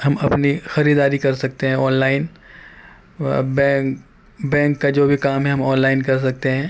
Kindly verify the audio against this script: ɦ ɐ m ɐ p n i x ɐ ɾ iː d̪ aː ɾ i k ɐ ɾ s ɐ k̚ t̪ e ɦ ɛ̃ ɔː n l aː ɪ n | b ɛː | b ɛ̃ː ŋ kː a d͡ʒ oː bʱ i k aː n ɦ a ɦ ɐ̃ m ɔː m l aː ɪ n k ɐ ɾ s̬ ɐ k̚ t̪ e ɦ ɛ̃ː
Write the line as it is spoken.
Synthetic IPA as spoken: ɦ ɐ m ɐ p n i x ɐ ɾ iː d̪ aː ɾ i k ɐ ɾ s ɐ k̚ t̪ e ɦ ɛ̃ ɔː n l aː ɪ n | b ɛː | b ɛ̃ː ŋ kː a d͡ʒ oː bʱ i k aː m ɦ ɛ ɦ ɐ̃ m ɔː n l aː ɪ n k ɐ ɾ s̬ ɐ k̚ t̪ e ɦ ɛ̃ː